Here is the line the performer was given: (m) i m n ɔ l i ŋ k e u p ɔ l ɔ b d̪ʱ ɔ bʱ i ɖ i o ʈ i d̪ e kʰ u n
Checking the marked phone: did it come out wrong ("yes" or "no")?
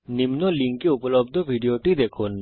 yes